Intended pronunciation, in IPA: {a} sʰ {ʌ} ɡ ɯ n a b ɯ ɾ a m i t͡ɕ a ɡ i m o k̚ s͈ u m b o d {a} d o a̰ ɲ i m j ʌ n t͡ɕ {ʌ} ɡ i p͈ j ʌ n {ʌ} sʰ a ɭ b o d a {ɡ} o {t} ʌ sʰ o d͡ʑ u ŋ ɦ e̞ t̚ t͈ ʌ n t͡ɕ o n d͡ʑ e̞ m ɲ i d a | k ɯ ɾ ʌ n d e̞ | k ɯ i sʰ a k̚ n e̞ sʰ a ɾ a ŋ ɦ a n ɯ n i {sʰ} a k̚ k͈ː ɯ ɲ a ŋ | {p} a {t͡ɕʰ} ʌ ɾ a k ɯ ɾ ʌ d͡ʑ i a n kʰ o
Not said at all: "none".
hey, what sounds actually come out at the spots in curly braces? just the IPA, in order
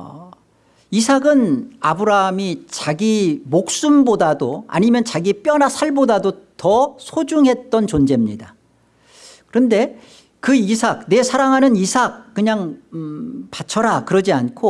i, a, a, a, a, d, t, sʰ, p, t͡ɕʰ

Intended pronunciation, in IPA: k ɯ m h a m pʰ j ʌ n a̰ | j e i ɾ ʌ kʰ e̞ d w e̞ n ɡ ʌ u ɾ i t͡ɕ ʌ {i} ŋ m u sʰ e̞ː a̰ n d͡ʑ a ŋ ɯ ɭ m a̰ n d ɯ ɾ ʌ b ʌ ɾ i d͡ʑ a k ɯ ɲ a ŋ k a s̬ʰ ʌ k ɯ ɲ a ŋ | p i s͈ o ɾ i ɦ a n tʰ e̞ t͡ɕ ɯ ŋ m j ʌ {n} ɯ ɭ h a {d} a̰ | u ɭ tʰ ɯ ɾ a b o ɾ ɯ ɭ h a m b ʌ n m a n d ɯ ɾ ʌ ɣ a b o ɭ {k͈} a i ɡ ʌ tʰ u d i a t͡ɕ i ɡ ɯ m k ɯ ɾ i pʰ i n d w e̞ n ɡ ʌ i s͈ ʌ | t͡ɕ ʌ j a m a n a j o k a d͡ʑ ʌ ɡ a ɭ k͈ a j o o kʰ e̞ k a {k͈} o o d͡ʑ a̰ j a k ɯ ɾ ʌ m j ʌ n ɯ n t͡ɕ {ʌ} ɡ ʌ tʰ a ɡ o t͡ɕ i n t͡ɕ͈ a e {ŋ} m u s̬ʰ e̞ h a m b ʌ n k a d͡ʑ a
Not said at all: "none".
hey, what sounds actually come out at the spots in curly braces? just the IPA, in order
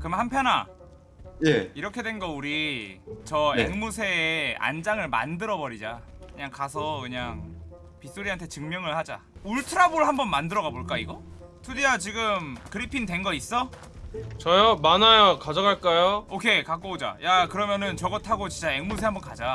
e, ŋ, d͡ʑ, k͈, k͈, ʌ, ŋ

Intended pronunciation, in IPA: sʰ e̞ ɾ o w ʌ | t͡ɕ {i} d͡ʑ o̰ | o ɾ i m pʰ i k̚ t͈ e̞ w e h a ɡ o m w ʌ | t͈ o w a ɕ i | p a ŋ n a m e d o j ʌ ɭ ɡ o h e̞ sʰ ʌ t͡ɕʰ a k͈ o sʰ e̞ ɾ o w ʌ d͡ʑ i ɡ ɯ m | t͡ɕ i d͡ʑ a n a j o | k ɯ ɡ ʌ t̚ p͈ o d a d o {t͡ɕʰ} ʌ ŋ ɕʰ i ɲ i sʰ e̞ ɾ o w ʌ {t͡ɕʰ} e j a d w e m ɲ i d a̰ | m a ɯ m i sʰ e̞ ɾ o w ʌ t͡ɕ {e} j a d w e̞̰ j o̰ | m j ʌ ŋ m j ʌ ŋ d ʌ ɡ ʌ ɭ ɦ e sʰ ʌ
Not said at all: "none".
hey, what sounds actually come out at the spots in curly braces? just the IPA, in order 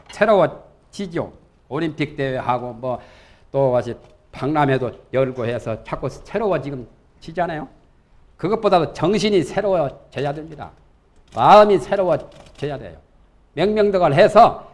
i, t͡ɕ, t͡ɕ, e

